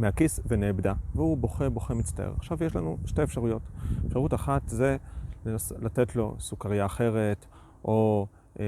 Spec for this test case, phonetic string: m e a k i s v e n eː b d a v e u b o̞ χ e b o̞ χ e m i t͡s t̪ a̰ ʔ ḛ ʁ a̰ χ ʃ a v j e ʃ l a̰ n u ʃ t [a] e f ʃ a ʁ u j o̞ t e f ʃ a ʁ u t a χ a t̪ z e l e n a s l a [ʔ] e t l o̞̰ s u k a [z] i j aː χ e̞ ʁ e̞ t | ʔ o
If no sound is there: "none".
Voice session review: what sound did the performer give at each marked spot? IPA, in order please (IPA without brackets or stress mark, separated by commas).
e, t, ʁ